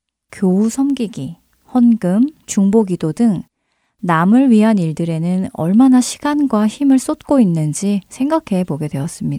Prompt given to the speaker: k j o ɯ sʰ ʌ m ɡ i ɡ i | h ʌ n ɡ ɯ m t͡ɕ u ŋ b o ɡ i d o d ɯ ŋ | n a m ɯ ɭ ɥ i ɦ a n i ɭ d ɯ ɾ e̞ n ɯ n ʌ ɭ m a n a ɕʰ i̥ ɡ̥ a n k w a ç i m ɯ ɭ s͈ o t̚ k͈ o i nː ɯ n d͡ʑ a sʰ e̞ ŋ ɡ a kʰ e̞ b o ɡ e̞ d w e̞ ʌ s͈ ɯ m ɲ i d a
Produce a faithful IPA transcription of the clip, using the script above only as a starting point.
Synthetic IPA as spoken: k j o u sʰ ʌ m ɡ i ɡ i | h ʌ n ɡ ɯ m t͡ɕ u ŋ b o ɡ i d o d ɯ ŋ | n a m ɯ ɭ ɥ i ɦ a n i ɭ d ɯ ɾ e̞ n ɯ n ʌ ɭ m a n a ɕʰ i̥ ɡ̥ a n ɡ w a ç i m ɯ ɭ s͈ o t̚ k͈ o i nː ɯ n d͡ʑ i sʰ e̞ ŋ ɡ a kʰ e̞ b o ɡ e̞ d w e̞ ʌ s͈ ɯ m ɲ i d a